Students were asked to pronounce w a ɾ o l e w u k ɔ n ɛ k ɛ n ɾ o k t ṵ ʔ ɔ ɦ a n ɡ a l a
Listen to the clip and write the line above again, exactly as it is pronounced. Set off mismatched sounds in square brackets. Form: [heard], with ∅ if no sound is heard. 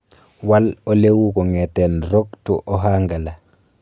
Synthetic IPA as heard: w a [l] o l e w u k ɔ [ŋ] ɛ [t] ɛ n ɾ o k t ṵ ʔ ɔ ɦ a [ŋ] ɡ a l a